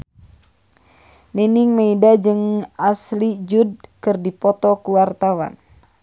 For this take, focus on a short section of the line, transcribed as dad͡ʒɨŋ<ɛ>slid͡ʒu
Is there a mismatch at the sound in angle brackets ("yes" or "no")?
yes